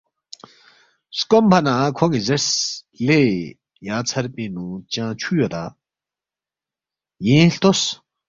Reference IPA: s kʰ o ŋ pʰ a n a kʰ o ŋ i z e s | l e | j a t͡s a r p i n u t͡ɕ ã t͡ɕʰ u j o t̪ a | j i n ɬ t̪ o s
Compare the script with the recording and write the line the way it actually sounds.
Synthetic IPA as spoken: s k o m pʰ a n a kʰ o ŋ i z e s | l e | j a t͡sʰ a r p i n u t͡ɕ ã t͡ɕʰ u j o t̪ a | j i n ɬ t̪ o s